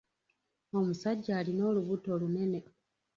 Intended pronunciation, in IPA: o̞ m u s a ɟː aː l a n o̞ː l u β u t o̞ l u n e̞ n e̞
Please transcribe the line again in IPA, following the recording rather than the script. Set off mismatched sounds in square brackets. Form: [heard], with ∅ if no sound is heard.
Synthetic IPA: o̞ m u s a ɟː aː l [i] n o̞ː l u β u t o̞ l u n e̞ n e̞